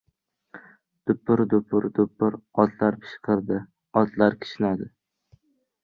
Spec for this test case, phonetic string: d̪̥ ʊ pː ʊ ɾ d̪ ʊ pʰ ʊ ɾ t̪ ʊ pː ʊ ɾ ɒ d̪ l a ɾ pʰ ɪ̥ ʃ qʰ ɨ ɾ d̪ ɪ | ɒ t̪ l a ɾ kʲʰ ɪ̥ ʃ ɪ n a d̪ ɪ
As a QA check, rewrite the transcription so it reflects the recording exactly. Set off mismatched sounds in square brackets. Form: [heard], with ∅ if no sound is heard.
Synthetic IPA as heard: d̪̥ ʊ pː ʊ ɾ d̪ ʊ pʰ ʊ ɾ [d̪] ʊ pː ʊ ɾ ɒ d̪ l a ɾ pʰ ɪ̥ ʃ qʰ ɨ ɾ d̪ ɪ | ɒ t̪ l a ɾ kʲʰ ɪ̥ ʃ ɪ n a d̪ ɪ